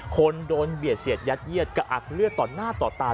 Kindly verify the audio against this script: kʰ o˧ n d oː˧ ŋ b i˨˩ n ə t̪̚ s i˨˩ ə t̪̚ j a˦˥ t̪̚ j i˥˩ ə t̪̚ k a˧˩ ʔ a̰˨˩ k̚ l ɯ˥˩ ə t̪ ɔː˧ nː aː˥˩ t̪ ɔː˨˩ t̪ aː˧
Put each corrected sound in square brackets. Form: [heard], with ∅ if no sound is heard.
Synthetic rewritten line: kʰ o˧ n d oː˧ [n] b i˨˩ [∅] ə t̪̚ s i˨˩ ə t̪̚ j a˦˥ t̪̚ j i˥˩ ə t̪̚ k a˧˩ ʔ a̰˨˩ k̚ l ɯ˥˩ ə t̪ [ɔː˨˩] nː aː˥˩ t̪ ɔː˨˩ t̪ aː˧

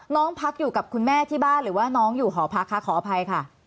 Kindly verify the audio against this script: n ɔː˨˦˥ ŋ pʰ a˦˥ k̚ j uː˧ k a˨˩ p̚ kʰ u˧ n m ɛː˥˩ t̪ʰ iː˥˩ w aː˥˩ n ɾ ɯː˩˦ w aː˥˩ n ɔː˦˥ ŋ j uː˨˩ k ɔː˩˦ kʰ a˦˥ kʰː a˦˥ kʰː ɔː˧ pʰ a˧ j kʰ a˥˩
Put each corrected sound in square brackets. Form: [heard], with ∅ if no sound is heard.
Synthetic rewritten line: n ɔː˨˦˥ ŋ pʰ a˦˥ k̚ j [uː˨˩] k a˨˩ p̚ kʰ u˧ n m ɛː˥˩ t̪ʰ iː˥˩ [b] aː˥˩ n ɾ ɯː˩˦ w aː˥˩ n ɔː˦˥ ŋ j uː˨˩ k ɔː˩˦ [pʰ] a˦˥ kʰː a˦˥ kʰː [ɔː˩˦˧] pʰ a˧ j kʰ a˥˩

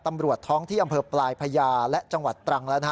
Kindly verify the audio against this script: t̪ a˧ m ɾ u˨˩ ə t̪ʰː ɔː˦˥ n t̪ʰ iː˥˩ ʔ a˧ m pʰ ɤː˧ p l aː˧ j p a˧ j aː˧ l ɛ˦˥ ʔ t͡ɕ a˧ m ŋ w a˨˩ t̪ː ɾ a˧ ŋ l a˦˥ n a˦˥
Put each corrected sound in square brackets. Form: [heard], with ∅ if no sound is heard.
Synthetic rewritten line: t̪ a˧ m ɾ u˨˩ ə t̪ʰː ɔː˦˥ [ŋ] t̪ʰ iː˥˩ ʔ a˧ m pʰ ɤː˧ p l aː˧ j [pʰ] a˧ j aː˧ l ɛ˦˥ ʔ t͡ɕ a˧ [∅] ŋ w a˨˩ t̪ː ɾ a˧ ŋ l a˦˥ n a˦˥

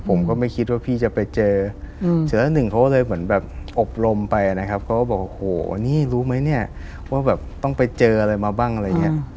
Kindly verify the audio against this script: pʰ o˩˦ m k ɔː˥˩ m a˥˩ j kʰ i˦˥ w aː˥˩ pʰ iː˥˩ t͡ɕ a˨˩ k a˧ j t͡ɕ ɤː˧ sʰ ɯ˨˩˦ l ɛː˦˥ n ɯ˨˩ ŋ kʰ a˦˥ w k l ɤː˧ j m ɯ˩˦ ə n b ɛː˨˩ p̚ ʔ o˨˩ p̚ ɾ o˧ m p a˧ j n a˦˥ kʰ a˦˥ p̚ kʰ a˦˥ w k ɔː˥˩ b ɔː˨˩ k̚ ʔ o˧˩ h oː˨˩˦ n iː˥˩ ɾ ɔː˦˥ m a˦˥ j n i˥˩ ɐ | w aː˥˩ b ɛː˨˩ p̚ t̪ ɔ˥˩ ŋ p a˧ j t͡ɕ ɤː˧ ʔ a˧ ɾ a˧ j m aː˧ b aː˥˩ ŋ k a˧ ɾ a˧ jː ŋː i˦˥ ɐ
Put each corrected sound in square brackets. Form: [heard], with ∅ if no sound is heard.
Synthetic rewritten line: pʰ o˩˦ m k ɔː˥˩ m a˥˩ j kʰ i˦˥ w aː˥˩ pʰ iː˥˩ t͡ɕ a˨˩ [p] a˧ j t͡ɕ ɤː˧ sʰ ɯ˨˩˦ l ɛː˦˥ n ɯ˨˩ ŋ kʰ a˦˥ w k l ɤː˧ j m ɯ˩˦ ə n b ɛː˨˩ p̚ ʔ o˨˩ p̚ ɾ o˧ m p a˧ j n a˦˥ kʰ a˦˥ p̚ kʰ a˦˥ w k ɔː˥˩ b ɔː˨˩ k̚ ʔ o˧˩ h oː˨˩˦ n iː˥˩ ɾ [uː˦˥] m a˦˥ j n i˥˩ ɐ | w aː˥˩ b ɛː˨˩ p̚ t̪ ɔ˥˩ ŋ p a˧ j t͡ɕ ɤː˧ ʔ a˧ ɾ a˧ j m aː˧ b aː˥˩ ŋ [ʔ] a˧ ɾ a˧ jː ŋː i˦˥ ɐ

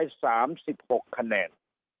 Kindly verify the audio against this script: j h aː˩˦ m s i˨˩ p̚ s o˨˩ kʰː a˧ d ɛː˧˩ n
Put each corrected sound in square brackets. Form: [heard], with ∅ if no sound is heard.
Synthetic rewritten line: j [s] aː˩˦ m s i˨˩ p̚ [h] o˨˩ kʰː a˧ [n] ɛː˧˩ n

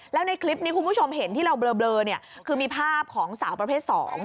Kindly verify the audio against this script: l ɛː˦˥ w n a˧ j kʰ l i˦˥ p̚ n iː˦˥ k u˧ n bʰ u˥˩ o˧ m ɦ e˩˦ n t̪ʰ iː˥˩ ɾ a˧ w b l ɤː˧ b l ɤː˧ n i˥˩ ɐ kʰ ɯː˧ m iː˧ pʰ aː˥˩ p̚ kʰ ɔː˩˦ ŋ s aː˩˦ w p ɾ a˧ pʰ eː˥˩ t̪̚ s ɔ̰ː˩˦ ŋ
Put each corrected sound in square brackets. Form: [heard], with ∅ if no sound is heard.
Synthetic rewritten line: l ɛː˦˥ w n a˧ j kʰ l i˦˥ p̚ n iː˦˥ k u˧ n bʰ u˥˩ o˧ m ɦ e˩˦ n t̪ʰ iː˥˩ ɾ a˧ w b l ɤː˧ b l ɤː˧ n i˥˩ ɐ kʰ ɯː˧ m iː˧ pʰ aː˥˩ p̚ kʰ ɔː˩˦ ŋ s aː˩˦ w p ɾ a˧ pʰ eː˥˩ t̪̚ s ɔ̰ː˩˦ ŋ

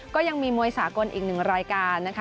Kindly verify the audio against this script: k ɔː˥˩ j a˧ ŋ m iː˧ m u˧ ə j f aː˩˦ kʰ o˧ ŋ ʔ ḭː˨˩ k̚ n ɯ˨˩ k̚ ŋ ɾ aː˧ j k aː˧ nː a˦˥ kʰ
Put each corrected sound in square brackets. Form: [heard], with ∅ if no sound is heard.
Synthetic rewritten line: k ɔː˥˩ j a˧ ŋ m iː˧ m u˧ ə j [s] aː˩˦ [k] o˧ [n] ʔ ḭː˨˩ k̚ n ɯ˨˩ [∅] ŋ ɾ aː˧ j k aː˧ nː a˦˥ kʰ

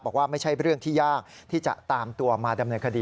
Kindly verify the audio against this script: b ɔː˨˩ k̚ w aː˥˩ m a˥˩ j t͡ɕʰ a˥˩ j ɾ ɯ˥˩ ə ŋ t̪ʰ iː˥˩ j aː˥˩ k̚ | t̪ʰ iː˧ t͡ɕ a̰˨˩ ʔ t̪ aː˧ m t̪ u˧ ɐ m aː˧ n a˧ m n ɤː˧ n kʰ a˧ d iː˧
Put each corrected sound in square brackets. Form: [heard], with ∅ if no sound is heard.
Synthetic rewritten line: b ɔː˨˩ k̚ w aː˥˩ m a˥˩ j t͡ɕʰ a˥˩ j ɾ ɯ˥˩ ə ŋ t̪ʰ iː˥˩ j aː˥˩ k̚ | t̪ʰ [iː˥˩] t͡ɕ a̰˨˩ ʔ t̪ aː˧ m t̪ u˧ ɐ m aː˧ [d] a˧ m n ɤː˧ n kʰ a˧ d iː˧

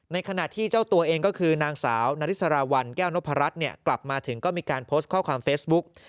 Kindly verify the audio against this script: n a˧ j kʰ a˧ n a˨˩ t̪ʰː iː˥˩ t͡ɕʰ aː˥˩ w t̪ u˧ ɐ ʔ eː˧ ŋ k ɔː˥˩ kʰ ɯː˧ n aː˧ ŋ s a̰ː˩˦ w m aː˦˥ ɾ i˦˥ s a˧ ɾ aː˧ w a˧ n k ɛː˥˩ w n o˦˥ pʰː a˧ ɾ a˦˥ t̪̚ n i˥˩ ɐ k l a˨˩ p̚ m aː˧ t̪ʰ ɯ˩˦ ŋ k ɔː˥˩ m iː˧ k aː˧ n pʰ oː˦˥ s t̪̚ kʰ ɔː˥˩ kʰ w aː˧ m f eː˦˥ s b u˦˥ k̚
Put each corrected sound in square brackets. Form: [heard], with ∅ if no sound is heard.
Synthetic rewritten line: n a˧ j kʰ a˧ n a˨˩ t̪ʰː iː˥˩ [t͡ɕ] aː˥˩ w t̪ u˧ ɐ ʔ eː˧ ŋ k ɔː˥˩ kʰ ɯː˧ n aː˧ ŋ s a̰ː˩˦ w [n] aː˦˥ ɾ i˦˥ s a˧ ɾ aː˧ w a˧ n k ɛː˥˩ w n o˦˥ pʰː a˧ ɾ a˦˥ t̪̚ n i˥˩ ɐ k l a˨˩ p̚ m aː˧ t̪ʰ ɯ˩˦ ŋ k ɔː˥˩ m iː˧ k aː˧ n pʰ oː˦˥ s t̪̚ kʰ ɔː˥˩ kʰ w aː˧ m f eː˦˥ s b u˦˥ k̚

